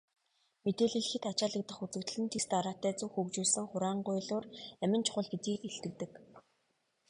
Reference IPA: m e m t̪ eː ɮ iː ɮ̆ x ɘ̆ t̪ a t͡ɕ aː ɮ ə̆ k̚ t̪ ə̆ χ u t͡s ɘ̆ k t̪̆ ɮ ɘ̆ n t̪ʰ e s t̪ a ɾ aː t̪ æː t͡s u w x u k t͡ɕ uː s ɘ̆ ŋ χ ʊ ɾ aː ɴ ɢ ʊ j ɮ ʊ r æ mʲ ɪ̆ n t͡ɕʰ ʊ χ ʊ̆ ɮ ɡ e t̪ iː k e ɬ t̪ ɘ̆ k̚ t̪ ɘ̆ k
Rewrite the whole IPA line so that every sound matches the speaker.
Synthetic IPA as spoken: m e t̪ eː ɮ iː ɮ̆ x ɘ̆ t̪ a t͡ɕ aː ɮ ə̆ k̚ t̪ ə̆ χ u t͡s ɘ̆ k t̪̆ ɮ ɘ̆ n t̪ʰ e s t̪ a ɾ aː t̪ æː t͡s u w x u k t͡ɕ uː s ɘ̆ ŋ χ ʊ ɾ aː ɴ ɢ ʊ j ɮ ʊː r æ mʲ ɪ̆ n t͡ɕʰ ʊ χ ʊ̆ ɮ ɡ e t̪ iː k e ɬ t̪ ɘ̆ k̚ t̪ ɘ̆ k